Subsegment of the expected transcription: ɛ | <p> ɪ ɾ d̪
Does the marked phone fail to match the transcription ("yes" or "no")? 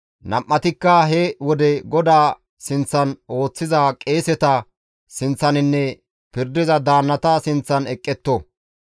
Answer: no